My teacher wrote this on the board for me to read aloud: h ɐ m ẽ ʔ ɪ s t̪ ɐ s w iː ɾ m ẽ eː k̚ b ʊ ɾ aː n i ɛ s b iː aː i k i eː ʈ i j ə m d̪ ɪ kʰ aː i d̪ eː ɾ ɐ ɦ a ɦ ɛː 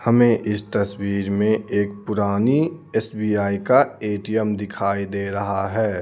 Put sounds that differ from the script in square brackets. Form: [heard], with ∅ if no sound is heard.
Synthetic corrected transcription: h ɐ m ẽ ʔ ɪ s t̪ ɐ s w iː ɾ m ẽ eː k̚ [p] ʊ ɾ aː n i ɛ s b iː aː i k [a] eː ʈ i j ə m d̪ ɪ kʰ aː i d̪ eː ɾ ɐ ɦ a ɦ ɛː